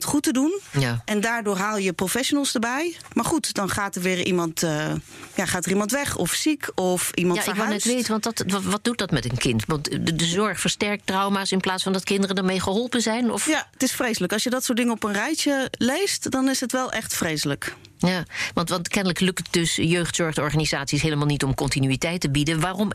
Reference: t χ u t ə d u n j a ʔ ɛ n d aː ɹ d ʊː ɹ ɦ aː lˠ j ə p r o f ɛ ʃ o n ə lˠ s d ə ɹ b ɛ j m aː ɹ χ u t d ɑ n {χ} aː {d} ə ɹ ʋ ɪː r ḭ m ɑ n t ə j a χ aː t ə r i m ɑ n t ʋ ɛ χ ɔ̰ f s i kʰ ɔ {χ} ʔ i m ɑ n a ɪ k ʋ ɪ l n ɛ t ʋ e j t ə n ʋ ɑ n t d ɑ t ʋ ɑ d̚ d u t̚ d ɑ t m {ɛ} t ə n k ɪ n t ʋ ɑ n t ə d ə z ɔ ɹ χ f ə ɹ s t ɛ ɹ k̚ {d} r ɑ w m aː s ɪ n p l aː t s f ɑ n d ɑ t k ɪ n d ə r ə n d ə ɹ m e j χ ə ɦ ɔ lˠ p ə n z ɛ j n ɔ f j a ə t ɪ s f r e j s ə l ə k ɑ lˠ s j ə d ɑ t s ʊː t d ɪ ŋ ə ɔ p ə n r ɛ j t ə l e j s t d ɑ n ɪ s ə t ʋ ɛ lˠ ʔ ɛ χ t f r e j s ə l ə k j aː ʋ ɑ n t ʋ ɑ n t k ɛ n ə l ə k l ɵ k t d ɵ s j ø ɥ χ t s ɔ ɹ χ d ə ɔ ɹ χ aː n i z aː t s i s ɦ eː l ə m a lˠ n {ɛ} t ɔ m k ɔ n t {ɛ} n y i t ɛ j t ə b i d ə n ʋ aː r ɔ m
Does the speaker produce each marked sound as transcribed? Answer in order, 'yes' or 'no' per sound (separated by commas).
yes, no, no, yes, no, no, no